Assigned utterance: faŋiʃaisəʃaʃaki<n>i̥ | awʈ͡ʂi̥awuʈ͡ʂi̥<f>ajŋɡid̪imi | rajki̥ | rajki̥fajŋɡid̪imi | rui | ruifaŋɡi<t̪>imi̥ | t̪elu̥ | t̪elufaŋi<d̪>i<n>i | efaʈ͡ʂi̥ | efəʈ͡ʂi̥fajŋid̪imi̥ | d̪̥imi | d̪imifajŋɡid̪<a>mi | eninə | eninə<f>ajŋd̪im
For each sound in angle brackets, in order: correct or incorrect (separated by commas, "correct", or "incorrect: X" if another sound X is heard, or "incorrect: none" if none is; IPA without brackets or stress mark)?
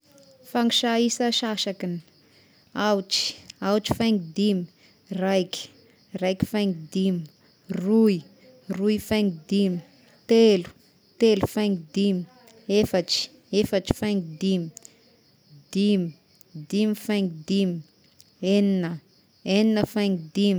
correct, correct, incorrect: d̪, correct, incorrect: m, incorrect: i, correct